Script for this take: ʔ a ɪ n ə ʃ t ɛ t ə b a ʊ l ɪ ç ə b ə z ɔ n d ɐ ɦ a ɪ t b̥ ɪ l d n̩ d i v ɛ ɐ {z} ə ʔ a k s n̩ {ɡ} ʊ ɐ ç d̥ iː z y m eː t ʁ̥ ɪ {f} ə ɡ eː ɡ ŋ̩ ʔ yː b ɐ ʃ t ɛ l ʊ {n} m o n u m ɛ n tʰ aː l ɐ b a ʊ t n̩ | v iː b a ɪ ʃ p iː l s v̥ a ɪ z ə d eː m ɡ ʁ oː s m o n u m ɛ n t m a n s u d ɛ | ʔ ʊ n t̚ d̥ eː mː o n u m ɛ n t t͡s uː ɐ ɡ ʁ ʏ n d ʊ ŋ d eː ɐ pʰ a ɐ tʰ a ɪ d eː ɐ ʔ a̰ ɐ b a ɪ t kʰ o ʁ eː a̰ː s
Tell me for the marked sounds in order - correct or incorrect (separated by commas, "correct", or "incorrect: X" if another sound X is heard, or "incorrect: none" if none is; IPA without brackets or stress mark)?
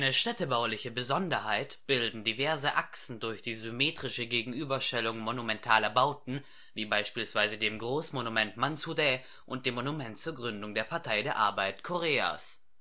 correct, incorrect: d, incorrect: ʃ, incorrect: ŋ